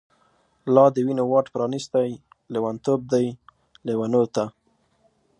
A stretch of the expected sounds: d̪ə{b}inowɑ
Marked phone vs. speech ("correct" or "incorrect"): incorrect